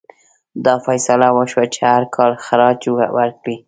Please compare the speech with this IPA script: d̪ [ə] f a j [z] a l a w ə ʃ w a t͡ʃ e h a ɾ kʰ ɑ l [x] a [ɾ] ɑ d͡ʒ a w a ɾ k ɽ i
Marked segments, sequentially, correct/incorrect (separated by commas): incorrect, incorrect, correct, correct